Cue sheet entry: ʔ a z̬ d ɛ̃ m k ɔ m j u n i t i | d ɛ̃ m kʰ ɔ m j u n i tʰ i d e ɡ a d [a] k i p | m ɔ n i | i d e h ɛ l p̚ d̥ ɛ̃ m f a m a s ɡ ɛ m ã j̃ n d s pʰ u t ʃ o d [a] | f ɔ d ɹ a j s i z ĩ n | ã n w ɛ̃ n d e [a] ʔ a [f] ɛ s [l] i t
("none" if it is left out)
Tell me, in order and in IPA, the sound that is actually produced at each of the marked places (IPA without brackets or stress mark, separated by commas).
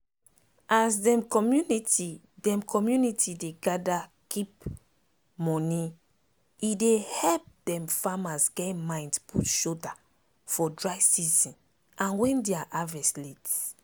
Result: a, a, a, v, l